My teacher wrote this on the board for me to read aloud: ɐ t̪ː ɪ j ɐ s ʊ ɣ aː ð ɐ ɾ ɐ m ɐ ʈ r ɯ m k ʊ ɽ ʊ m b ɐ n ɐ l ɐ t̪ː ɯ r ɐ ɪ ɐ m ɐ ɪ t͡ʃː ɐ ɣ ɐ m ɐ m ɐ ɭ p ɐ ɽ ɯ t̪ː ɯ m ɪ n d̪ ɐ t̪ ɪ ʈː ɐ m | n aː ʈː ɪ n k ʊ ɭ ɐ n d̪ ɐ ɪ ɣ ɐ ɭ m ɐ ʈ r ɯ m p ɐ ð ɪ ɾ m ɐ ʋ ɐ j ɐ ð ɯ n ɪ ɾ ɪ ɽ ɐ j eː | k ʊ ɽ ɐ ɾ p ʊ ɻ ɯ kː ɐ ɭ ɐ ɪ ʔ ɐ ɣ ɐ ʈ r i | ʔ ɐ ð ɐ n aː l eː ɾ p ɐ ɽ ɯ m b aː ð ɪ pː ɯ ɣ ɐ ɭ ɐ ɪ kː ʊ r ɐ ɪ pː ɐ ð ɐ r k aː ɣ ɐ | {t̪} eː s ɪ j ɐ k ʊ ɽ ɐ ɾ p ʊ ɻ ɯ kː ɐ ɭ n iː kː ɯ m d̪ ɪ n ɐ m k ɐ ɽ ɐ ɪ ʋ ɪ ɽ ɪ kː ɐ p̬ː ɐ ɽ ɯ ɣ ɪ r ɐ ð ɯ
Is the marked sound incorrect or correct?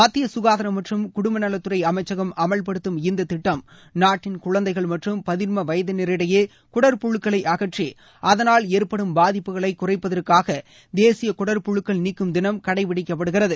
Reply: incorrect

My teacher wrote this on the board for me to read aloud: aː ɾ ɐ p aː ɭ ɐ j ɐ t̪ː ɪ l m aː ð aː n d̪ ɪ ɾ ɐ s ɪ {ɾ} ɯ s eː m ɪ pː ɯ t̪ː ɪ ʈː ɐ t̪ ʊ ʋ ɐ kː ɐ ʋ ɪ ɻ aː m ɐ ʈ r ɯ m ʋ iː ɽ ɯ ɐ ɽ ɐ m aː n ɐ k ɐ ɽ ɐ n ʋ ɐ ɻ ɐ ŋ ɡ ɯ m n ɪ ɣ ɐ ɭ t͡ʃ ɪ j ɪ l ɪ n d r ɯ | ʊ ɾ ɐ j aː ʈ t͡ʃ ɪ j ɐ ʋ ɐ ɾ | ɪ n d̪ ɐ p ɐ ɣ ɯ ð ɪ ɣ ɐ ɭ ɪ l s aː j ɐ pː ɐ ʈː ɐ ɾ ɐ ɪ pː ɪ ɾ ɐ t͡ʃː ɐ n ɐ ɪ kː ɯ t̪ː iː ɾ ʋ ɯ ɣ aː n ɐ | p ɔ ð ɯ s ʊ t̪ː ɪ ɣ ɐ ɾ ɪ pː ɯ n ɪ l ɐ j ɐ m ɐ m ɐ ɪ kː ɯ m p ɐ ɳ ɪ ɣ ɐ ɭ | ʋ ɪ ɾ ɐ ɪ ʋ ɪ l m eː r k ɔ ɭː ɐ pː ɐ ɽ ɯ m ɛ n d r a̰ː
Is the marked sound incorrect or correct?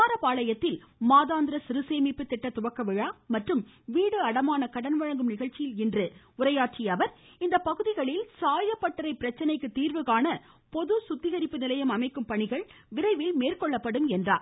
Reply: correct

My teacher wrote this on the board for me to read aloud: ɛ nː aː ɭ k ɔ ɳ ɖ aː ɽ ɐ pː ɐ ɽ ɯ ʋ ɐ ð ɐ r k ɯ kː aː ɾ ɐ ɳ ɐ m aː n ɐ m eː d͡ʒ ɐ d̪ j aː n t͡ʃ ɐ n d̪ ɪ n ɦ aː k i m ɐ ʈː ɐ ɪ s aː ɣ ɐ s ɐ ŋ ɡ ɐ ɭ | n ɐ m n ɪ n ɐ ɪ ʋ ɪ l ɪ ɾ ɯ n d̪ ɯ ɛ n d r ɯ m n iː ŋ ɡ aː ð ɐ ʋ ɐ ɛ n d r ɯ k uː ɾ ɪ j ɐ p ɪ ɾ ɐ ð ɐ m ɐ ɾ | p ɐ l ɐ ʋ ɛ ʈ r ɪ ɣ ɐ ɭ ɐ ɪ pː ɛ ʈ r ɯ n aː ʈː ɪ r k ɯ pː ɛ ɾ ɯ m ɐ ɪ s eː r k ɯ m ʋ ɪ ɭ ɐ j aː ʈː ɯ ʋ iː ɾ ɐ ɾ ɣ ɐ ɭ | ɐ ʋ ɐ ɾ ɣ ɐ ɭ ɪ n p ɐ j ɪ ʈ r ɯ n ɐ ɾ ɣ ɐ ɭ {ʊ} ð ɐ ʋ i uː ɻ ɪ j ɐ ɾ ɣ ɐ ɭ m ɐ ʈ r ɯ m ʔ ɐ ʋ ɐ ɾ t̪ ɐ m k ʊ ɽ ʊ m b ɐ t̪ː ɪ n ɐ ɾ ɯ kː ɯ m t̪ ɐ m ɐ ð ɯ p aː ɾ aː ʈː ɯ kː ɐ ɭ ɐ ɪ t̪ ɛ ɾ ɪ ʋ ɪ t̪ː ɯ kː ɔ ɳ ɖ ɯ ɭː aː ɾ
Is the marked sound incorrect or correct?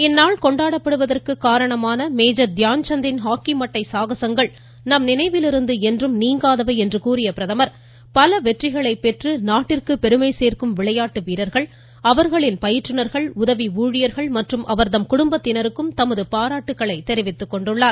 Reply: correct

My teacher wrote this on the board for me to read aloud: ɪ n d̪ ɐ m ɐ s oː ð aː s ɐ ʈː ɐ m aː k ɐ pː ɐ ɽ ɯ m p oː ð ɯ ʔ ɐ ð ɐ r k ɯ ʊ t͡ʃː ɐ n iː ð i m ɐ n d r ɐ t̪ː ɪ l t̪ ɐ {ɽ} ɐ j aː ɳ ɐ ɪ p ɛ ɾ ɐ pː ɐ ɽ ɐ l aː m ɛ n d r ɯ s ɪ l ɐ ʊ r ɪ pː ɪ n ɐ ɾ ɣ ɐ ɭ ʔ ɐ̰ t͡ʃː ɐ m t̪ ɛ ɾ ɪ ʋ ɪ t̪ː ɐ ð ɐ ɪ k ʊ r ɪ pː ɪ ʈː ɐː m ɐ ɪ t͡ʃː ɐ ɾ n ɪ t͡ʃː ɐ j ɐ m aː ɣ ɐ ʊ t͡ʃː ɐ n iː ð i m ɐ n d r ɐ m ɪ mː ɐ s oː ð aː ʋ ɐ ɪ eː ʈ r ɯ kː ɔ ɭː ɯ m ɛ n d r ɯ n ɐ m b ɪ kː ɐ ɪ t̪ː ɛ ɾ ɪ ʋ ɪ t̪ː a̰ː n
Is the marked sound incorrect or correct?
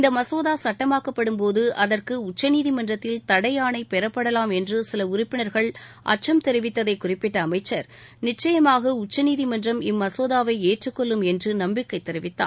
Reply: correct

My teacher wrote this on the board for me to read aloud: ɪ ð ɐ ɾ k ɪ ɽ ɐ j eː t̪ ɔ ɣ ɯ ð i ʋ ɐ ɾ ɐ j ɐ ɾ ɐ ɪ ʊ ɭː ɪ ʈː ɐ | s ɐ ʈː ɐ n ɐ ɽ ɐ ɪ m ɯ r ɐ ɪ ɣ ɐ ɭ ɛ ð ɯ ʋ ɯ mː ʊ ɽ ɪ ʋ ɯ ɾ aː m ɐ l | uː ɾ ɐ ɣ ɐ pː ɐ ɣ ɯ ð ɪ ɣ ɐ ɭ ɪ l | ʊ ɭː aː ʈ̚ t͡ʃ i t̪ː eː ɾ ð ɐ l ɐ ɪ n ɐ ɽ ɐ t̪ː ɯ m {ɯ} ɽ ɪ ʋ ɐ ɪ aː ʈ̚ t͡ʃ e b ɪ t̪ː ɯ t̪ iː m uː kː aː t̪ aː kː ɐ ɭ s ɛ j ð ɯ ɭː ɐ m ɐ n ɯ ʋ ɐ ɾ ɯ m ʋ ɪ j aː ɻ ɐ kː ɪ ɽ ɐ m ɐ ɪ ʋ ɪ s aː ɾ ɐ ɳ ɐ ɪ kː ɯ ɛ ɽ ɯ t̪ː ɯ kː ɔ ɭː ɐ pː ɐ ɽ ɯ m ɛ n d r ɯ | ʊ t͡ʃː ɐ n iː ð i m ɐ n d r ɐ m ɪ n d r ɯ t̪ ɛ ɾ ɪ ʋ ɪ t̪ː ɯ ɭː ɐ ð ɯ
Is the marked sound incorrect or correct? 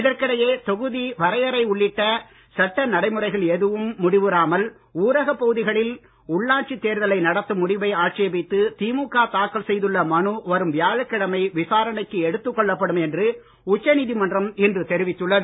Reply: incorrect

